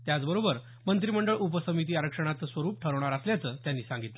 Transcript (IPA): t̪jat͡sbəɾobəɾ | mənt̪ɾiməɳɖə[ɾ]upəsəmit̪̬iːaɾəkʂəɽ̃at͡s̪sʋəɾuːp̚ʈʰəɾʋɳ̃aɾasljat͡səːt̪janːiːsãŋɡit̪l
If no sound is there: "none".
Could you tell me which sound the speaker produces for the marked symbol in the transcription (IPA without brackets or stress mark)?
ɭ